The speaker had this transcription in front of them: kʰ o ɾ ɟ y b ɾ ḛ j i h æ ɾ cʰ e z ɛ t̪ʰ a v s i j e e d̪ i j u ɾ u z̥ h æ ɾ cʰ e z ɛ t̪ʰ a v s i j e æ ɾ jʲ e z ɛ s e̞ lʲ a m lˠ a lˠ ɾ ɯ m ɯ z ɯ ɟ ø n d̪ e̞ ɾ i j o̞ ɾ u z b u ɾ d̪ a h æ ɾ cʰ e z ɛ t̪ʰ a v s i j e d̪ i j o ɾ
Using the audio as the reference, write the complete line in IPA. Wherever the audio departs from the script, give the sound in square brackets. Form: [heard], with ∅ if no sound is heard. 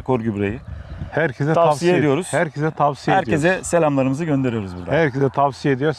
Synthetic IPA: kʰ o ɾ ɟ y b ɾ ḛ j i h æ ɾ cʰ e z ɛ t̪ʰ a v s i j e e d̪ i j [o] ɾ u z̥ h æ ɾ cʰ e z ɛ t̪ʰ a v s i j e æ ɾ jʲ e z ɛ s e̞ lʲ a m lˠ a [∅] ɾ ɯ m ɯ z ɯ ɟ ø n d̪ e̞ ɾ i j o̞ ɾ u z b u ɾ d̪ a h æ ɾ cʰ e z ɛ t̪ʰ a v s i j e d̪ i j o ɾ

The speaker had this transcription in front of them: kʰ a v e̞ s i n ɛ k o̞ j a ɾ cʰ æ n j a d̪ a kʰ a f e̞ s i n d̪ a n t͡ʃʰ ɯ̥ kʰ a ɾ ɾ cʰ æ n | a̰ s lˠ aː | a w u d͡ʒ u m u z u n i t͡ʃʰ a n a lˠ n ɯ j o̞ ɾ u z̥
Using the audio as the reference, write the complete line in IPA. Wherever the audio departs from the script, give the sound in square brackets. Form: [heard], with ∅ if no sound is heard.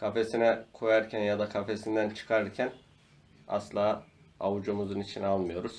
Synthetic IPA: kʰ a [f] e̞ s i n ɛ [kʰ] o̞ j a ɾ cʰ æ n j a d̪ a kʰ a f e̞ s i n d̪ [æ] n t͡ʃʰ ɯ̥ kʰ a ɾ ɾ cʰ æ n | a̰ s lˠ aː | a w u d͡ʒ u m u z u n i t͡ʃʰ [i] n a lˠ [m] ɯ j o̞ ɾ u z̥

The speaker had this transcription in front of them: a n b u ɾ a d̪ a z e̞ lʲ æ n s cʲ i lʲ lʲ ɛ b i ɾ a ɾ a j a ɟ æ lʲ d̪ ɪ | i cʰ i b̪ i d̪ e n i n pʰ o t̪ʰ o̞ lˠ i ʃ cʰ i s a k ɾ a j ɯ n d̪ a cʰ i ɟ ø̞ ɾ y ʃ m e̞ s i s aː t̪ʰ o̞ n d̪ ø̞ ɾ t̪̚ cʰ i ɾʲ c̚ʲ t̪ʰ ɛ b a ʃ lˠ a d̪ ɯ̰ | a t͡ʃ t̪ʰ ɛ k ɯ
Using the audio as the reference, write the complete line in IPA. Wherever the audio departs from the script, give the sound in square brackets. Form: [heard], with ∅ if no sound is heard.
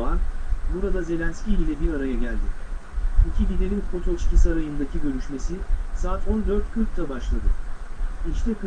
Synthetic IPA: a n b u ɾ a d̪ a z e̞ lʲ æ n s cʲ i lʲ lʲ ɛ b i ɾ a ɾ a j a ɟ æ lʲ d̪ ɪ | i cʰ i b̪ i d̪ e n i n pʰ o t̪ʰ o̞ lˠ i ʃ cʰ i s a [∅] ɾ a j ɯ n d̪ a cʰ i ɟ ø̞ ɾ y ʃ m e̞ s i s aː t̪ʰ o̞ n d̪ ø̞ ɾ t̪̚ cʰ [y] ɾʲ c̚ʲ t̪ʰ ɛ b a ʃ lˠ a d̪ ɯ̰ | [i] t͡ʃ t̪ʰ ɛ k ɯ

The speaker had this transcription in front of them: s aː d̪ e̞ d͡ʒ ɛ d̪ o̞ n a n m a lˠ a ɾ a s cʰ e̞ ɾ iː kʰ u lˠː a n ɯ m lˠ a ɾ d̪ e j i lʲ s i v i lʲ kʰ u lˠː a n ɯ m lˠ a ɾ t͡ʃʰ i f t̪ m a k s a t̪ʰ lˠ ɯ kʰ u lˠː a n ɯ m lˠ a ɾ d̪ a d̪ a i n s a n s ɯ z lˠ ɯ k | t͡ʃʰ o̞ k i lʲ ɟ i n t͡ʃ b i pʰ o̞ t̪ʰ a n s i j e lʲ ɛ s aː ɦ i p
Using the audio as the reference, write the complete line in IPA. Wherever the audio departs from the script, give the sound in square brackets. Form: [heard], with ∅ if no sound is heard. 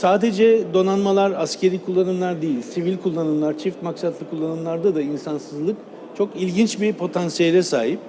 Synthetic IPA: s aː d̪ e̞ d͡ʒ ɛ d̪ o̞ n a n m a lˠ a ɾ a s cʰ e̞ ɾ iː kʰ u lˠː a n ɯ m lˠ a ɾ d̪ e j i lʲ s i v i lʲ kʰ u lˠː a n ɯ m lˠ a ɾ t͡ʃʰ i f t̪ m a k s a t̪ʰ lˠ ɯ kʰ u lˠː a n ɯ m lˠ a ɾ d̪ a d̪ a i n s a n s ɯ z lˠ ɯ k | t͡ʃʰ o̞ k i lʲ ɟ i n t͡ʃ b i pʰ o̞ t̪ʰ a n s i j e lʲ ɛ s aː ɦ i p

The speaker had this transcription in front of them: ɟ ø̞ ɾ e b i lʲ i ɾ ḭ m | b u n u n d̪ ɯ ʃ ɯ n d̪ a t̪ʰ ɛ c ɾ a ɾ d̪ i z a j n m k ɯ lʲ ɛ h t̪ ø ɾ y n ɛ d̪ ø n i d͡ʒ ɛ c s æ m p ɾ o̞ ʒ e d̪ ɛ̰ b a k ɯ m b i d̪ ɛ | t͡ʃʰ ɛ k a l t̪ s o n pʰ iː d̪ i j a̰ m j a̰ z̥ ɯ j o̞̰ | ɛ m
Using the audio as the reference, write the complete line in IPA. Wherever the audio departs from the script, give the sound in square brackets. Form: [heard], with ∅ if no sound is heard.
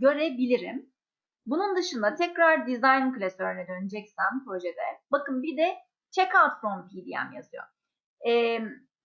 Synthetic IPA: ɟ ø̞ ɾ e b i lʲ i ɾ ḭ m | b u n u n d̪ ɯ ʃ ɯ n d̪ a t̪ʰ ɛ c ɾ a ɾ d̪ i z a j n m k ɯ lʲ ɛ [s] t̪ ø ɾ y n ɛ d̪ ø n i d͡ʒ ɛ c s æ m p ɾ o̞ ʒ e d̪ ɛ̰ b a k ɯ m b i d̪ ɛ | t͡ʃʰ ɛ k a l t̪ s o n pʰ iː d̪ i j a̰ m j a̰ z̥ ɯ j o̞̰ | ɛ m

